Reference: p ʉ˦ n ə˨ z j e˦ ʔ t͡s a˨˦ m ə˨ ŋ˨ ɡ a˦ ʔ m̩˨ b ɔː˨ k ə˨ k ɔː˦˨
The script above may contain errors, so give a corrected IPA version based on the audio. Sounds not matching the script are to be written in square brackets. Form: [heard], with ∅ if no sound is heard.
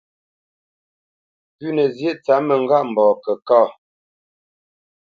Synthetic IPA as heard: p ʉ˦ n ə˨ z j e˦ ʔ t͡s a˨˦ m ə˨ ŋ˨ ɡ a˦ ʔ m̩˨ b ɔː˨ k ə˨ k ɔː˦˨